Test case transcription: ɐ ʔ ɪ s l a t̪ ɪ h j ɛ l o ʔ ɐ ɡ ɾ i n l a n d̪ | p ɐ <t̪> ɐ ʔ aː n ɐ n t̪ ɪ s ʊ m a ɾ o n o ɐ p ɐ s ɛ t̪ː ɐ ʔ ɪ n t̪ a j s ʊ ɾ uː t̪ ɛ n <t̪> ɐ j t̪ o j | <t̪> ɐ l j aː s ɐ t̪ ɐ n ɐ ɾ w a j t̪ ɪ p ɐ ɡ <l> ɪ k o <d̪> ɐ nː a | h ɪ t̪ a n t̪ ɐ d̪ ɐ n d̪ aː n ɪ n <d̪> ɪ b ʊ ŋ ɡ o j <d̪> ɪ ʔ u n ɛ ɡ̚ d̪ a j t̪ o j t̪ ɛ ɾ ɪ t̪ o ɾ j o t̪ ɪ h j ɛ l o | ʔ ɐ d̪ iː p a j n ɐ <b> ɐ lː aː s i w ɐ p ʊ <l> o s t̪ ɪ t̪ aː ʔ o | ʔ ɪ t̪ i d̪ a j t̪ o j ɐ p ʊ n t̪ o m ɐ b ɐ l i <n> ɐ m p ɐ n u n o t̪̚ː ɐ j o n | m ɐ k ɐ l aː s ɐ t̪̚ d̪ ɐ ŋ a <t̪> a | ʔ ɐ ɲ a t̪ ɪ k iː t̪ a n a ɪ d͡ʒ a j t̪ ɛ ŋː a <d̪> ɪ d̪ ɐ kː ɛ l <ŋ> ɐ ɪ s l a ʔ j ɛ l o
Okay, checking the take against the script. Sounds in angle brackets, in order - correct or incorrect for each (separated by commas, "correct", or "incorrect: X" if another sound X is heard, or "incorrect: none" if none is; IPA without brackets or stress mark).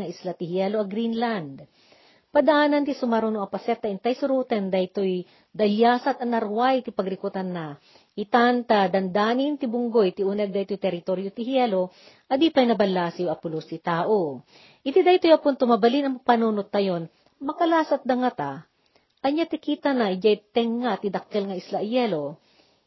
incorrect: d̪, incorrect: d̪, incorrect: d̪, incorrect: ɾ, incorrect: t̪, incorrect: t̪, incorrect: t̪, correct, correct, correct, correct, incorrect: t̪, correct